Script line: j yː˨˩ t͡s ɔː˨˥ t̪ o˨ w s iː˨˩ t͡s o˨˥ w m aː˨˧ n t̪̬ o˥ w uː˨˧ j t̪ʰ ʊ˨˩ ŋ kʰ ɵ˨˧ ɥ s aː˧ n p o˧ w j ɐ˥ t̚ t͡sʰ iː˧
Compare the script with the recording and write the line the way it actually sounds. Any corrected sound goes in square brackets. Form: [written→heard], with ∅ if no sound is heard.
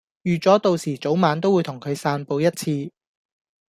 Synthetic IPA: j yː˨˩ t͡s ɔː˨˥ t̪ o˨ w s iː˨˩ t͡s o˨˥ w m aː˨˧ n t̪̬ o˥ w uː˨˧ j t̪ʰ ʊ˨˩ ŋ kʰ ɵ˨˧ ɥ s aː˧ n p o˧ w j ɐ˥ t̚ t͡sʰ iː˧